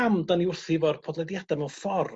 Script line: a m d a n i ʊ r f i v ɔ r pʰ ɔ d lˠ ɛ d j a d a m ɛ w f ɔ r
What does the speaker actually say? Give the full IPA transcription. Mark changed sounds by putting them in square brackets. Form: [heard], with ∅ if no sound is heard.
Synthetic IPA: a m d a n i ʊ r [θ] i v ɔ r pʰ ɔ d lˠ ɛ d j a d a m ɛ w f ɔ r